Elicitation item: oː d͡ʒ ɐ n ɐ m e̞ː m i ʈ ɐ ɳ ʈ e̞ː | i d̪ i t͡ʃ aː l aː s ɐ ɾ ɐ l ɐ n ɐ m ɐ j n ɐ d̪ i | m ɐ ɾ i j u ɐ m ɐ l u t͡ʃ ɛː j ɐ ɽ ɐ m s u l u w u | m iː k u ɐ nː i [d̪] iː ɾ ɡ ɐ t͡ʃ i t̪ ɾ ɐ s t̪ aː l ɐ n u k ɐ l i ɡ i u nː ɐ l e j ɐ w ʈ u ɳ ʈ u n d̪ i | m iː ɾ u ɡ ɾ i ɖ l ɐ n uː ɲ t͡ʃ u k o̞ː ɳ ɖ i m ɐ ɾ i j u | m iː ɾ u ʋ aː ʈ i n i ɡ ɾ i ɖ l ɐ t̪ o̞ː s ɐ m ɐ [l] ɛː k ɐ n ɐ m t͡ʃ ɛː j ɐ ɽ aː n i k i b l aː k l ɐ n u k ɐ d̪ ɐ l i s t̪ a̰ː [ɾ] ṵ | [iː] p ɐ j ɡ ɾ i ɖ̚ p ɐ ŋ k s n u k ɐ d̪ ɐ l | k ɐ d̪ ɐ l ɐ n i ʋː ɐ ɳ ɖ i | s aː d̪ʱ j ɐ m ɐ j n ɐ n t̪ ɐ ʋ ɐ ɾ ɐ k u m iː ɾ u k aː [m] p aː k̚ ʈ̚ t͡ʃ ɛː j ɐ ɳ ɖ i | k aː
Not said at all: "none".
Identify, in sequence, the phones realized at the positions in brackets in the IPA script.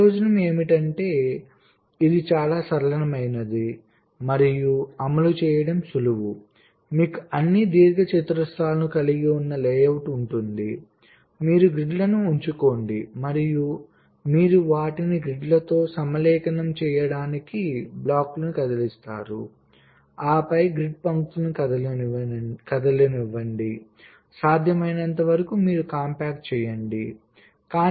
d̪, l, ɾ, aː, m

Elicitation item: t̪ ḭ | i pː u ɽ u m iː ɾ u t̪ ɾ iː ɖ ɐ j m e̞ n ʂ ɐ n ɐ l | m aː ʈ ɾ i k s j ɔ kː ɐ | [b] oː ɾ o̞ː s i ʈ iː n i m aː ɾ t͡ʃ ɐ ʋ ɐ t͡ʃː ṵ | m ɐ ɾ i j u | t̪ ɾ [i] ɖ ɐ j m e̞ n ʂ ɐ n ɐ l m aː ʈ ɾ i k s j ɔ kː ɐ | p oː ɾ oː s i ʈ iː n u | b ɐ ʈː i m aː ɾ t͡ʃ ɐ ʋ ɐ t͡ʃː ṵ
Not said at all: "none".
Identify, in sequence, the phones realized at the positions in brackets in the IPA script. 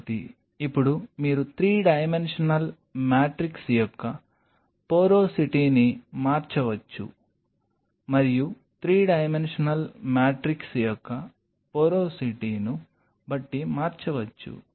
p, iː

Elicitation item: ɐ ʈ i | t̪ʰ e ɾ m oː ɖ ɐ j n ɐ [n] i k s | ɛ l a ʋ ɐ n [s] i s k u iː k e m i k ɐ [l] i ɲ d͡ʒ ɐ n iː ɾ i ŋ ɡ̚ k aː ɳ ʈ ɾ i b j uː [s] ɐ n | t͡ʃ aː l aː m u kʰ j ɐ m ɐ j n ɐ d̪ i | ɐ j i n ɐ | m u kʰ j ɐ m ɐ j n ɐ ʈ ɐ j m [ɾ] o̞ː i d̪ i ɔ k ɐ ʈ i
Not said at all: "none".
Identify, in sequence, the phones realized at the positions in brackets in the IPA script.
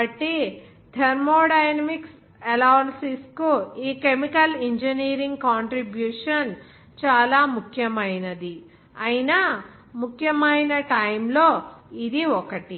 m, s, l, ʂ, l

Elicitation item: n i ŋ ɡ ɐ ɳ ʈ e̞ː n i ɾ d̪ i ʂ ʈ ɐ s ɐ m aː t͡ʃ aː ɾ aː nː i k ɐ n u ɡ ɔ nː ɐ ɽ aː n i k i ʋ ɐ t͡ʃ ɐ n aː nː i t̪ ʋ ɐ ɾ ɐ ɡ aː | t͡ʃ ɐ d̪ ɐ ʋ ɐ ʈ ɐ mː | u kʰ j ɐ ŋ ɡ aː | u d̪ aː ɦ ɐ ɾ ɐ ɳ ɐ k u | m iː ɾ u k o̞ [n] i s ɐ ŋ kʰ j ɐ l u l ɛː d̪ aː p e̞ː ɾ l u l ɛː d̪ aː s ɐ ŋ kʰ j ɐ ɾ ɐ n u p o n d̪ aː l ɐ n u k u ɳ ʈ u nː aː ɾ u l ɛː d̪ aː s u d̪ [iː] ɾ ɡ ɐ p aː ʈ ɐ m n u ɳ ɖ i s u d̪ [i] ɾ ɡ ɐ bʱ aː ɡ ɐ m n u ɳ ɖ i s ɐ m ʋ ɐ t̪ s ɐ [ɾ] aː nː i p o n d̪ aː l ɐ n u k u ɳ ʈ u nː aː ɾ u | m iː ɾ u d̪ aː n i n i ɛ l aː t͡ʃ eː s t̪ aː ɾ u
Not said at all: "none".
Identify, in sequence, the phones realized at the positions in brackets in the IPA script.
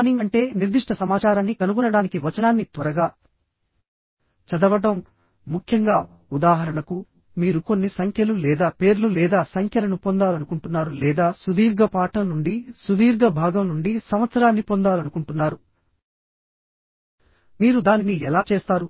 nː, iː, iː, ɾ

